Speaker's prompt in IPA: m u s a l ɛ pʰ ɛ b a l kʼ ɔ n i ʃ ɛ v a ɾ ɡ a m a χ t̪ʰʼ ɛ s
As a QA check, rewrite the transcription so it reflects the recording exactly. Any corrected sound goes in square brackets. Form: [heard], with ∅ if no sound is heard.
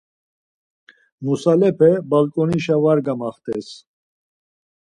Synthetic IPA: m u s a l ɛ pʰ ɛ b a l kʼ ɔ n i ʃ [a] v a ɾ ɡ a m a χ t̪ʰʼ ɛ s